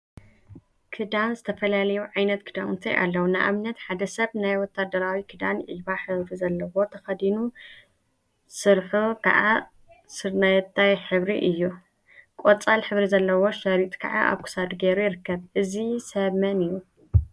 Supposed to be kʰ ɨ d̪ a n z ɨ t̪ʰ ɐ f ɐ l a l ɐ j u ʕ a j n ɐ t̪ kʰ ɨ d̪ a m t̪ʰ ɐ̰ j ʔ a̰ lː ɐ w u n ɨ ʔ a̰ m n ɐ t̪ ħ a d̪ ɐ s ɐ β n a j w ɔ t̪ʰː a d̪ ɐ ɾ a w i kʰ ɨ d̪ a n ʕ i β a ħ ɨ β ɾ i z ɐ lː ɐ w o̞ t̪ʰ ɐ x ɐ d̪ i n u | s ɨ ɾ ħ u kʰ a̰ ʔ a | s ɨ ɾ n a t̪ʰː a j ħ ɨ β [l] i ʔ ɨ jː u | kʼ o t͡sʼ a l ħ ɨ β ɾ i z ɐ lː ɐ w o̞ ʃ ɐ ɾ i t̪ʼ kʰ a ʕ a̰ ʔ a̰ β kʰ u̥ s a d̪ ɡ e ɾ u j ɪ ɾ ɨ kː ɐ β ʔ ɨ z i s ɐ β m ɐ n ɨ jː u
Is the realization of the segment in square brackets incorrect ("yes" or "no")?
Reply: yes